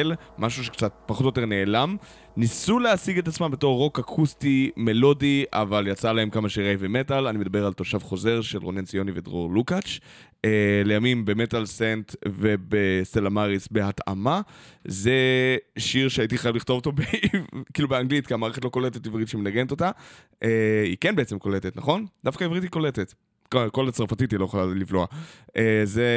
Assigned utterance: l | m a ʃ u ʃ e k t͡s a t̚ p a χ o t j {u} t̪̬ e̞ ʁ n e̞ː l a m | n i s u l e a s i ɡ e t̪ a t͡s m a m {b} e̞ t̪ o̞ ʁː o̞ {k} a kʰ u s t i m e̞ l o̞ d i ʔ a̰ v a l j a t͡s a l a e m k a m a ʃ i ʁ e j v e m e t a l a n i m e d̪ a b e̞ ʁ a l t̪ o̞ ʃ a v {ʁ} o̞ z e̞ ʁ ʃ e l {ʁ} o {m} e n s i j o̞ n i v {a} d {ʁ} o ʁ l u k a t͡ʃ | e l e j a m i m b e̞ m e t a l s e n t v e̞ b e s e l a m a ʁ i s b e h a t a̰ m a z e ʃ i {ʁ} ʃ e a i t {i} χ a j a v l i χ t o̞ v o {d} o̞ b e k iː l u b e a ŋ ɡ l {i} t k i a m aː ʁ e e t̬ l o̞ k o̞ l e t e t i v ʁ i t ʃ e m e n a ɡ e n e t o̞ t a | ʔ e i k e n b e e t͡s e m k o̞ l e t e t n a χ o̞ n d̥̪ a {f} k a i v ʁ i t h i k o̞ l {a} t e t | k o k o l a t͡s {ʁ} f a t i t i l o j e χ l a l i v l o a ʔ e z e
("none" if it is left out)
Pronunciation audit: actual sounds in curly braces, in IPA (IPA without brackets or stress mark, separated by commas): o, b, k, χ, ʁ, n, e, ʁ, ʁ, i, t, i, f, e, ʁ